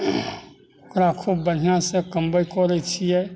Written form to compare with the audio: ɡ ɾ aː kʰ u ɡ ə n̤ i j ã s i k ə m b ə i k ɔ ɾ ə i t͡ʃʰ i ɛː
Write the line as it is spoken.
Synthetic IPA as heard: k ɾ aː kʰ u b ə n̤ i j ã s e k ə m b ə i k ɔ ɾ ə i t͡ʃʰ i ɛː